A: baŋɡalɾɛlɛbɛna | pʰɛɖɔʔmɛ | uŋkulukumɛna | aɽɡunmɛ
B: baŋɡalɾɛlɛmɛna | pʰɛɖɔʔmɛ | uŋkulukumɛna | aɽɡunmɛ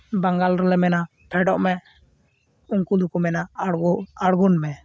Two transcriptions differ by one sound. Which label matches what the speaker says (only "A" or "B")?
B